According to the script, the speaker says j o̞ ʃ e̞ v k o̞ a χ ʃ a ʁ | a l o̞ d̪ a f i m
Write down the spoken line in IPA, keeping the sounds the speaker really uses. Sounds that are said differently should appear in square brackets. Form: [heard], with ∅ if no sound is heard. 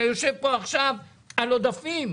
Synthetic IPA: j o̞ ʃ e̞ v [p] o̞ a χ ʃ a [v] | a l o̞ d̪ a f i m